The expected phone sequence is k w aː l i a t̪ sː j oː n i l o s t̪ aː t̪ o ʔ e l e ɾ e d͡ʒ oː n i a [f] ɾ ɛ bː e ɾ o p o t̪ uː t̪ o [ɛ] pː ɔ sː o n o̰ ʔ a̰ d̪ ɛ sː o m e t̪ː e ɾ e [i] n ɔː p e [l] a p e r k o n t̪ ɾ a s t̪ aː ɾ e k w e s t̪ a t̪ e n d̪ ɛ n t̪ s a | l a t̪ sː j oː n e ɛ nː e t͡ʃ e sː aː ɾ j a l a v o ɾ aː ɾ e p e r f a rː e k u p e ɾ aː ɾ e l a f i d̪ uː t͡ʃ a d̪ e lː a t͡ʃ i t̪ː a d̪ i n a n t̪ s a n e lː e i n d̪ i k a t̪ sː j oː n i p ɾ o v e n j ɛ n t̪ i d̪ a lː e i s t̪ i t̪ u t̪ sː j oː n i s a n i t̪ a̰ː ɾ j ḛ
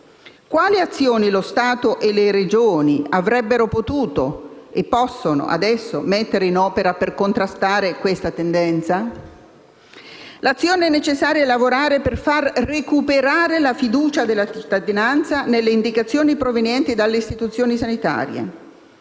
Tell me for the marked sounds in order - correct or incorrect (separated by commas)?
incorrect, incorrect, correct, incorrect